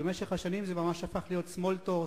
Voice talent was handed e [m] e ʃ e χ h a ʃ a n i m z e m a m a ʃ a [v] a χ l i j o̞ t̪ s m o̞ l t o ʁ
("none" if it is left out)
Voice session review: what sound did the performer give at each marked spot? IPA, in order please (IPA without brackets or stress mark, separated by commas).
m, f